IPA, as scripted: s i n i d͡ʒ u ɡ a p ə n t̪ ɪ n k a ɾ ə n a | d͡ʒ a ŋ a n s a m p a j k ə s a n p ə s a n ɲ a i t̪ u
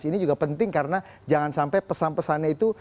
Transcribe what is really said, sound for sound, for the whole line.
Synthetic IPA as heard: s i n i d͡ʒ u ɡ a p ə n t̪ ɪ ŋ k a ɾ ə n a | d͡ʒ a ŋ a n s a m p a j p ə s a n p ə s a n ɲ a i t̪ u